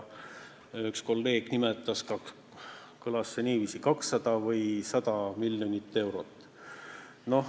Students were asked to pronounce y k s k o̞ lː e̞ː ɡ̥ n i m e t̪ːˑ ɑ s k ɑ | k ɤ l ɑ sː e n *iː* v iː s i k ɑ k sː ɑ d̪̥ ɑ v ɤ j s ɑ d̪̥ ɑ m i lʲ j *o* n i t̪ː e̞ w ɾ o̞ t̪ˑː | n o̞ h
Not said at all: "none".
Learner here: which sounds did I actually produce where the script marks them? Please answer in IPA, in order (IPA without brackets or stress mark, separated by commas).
iː, o